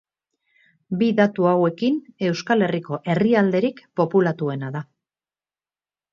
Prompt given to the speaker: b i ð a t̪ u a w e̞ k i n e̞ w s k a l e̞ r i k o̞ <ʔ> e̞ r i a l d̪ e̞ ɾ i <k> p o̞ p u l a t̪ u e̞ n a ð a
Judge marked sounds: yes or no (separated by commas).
yes, yes